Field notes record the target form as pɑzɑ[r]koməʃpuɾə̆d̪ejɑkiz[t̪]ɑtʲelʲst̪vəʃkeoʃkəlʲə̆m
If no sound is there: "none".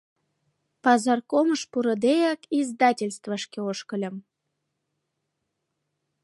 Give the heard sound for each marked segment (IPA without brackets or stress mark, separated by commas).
r, d̪